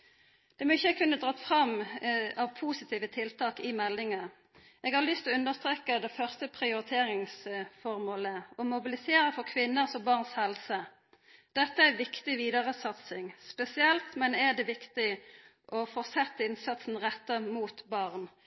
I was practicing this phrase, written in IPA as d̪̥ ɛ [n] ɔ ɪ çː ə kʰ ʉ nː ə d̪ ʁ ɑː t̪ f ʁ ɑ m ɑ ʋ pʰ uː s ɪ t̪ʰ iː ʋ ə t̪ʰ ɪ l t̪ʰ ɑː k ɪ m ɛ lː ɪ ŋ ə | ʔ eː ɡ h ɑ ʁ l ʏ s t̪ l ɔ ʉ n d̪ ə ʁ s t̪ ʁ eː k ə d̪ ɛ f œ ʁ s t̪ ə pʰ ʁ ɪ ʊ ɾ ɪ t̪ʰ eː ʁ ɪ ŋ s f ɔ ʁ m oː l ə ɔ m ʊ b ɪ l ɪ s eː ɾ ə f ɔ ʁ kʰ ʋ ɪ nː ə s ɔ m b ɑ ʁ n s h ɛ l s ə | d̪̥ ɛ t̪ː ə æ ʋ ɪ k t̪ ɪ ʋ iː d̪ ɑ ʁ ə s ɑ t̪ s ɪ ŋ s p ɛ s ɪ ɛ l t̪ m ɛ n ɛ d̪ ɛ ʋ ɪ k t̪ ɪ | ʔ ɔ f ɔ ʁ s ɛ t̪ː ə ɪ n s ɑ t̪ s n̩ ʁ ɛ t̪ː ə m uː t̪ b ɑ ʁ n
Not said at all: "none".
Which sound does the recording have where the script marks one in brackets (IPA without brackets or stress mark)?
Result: m